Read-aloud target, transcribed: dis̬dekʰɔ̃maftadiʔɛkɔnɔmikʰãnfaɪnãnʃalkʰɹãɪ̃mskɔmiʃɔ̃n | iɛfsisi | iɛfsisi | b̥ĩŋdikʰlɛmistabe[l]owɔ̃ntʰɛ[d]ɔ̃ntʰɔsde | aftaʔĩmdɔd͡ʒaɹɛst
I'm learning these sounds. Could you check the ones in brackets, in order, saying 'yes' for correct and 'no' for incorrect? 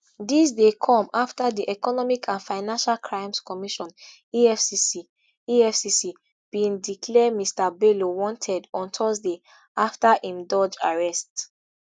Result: yes, yes

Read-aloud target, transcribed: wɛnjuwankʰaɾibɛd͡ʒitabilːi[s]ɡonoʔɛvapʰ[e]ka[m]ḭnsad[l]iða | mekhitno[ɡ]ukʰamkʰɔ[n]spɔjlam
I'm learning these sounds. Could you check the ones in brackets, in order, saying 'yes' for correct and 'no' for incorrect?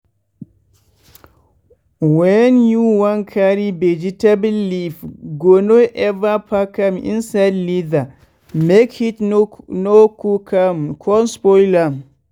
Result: no, no, yes, yes, no, yes

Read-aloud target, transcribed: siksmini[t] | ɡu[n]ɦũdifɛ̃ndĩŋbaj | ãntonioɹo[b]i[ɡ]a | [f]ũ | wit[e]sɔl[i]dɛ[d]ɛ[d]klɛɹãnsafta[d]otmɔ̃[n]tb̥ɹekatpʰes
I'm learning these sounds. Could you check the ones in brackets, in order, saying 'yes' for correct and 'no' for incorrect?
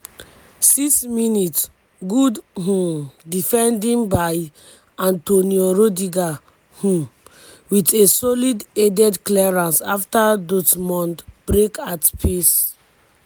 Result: yes, no, no, yes, no, yes, yes, yes, yes, yes, yes

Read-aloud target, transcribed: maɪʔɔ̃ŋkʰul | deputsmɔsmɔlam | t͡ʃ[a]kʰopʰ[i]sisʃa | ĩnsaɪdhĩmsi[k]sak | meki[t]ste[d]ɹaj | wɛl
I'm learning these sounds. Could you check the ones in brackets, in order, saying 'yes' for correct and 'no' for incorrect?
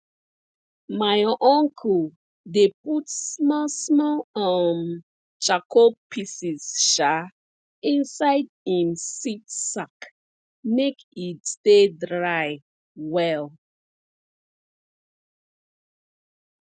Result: yes, yes, no, yes, yes

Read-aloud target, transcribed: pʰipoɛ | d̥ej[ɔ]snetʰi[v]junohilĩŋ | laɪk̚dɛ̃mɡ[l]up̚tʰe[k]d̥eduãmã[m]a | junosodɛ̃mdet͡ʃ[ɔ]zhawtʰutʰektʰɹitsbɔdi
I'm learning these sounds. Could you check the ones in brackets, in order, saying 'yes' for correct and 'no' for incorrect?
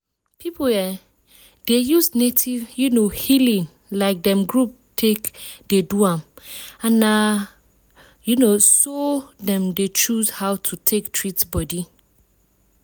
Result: no, yes, no, yes, no, no

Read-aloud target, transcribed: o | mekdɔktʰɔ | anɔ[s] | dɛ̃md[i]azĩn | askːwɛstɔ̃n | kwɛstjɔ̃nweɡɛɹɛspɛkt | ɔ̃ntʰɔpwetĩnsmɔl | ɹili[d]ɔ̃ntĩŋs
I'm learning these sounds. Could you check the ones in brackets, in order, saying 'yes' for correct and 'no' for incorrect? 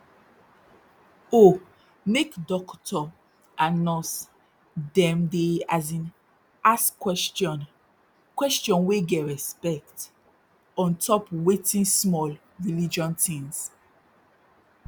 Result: yes, no, no

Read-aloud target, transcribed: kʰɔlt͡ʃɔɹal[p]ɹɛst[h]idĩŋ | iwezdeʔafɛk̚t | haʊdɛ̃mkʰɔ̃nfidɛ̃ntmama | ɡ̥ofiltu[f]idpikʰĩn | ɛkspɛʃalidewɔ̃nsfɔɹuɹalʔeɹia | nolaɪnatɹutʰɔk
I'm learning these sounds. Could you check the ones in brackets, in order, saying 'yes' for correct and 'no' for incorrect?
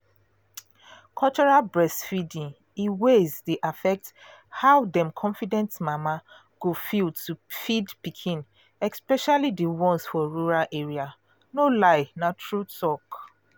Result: no, no, yes

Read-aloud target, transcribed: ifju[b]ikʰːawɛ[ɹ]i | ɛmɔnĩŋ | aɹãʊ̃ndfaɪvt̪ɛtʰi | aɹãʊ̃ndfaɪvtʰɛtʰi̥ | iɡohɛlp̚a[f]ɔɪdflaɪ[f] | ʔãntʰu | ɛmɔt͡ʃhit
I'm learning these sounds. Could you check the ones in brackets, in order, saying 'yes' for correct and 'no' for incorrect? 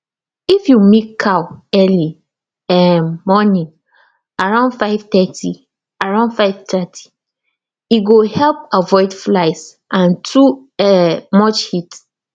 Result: no, no, no, no

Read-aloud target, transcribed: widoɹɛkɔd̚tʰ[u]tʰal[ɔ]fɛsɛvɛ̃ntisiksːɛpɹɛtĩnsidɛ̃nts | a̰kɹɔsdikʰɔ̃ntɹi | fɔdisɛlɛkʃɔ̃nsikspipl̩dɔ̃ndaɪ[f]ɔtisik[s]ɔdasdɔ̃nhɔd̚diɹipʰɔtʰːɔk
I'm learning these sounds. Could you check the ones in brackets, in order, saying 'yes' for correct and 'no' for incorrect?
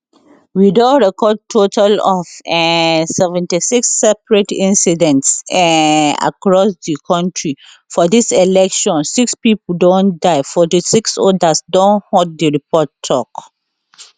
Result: no, yes, yes, yes

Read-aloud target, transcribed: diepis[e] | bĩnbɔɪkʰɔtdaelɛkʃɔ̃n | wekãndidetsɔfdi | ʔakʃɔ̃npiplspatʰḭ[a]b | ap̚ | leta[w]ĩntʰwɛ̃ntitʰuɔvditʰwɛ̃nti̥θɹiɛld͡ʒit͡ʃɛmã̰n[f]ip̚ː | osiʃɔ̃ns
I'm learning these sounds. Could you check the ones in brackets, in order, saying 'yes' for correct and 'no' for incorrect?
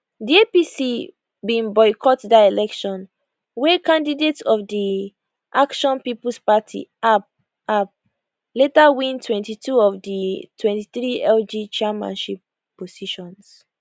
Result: no, yes, yes, no

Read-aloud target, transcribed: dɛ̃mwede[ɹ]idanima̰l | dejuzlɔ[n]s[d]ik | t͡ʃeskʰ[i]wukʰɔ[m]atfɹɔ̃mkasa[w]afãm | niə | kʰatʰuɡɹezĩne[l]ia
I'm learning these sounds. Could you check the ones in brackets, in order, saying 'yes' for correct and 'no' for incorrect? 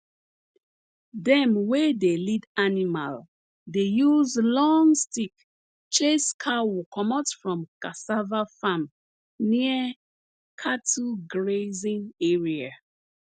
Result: no, no, no, no, yes, no, no

